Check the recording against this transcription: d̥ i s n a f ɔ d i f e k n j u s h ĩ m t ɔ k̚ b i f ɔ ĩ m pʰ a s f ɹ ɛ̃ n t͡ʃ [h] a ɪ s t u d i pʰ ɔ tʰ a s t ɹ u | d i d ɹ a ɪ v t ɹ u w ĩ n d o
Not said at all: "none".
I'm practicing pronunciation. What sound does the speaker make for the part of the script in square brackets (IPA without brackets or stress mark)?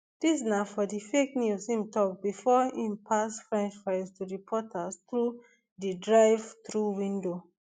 f